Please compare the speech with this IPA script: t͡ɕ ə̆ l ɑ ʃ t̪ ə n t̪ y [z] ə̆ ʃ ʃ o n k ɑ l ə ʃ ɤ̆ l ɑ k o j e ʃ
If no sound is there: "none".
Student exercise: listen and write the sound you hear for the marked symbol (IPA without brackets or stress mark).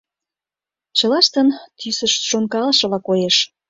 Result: s